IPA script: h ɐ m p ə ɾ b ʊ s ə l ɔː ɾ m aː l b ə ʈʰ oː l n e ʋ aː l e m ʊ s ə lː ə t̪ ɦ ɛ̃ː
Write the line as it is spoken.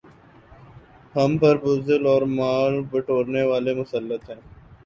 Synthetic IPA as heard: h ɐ m p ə ɾ b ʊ z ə l ɔː ɾ m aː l b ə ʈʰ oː ɾ n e ʋ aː l e m ʊ s ə lː ə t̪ ɦ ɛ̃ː

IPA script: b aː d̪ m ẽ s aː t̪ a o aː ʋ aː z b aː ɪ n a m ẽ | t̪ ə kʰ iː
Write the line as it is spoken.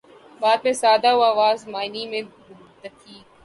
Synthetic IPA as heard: b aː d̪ m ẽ s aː d̪ a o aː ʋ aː z m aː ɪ n i m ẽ | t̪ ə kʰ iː

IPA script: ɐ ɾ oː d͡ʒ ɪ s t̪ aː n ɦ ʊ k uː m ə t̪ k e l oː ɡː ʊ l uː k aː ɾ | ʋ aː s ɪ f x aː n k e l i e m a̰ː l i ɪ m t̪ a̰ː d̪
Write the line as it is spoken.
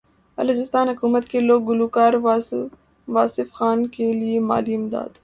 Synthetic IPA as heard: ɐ l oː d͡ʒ ɪ s t̪ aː n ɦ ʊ k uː m ə t̪ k e l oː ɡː ʊ l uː k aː ɾ | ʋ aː s ɪ f x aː n k e l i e m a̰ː l i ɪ m d̪ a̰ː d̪

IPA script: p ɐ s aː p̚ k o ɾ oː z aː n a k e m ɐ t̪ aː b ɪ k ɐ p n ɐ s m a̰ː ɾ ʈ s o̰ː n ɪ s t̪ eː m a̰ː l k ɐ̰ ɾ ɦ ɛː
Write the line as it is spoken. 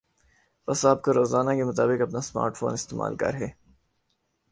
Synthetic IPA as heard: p ɐ s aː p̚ k o ɾ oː z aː n a k e m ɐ t̪ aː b ɪ k ɐ p n a s m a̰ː ɾ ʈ f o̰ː n ɪ s t̪ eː m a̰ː l k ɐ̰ ɾ ɦ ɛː

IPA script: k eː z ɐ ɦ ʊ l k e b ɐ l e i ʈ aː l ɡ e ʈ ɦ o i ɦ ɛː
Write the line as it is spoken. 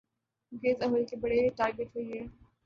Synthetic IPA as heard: ɡ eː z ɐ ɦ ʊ l k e b ɐ ɽ e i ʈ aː ɾ ɡ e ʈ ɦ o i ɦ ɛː

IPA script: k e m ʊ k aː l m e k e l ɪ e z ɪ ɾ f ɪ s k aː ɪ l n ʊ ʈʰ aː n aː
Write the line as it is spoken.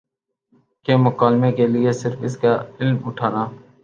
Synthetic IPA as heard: k e m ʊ k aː l m e k e l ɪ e s ɪ ɾ f ɪ s k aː ɪ l m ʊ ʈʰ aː n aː

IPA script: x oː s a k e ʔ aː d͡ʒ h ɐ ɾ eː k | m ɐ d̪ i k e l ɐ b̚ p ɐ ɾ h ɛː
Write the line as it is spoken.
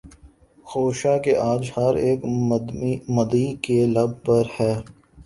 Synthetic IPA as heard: x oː ʃ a k e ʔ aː d͡ʒ h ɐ ɾ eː k | m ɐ d̪ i k e l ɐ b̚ p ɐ ɾ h ɛː

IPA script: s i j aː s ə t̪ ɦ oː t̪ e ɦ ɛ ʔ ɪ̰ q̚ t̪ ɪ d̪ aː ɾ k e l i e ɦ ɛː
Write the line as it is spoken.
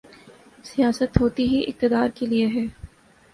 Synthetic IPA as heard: s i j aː s ə t̪ ɦ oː t̪ i ɦ i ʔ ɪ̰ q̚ t̪ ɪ d̪ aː ɾ k e l i e ɦ ɛː

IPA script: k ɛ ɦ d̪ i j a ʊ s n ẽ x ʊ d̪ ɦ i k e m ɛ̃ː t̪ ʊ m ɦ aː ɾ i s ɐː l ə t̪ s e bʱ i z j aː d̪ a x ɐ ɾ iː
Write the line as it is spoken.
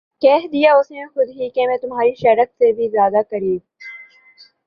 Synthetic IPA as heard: k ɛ ɦ d̪ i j a ʊ s n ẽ x ʊ d̪ ɦ i k e m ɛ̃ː t̪ ʊ m ɦ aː ɾ i ʃ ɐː ɾ ə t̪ s e bʱ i z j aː d̪ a k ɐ ɾ iː

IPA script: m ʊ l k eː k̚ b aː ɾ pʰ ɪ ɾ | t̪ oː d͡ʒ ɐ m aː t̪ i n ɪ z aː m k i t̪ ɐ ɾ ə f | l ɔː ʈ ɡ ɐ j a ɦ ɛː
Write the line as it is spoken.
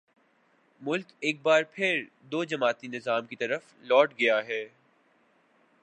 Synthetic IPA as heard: m ʊ l k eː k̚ b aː ɾ pʰ ɪ ɾ | d̪ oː d͡ʒ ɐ m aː t̪ i n ɪ z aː m k i t̪ ɐ ɾ ə f | l ɔː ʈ ɡ ɐ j a ɦ ɛː

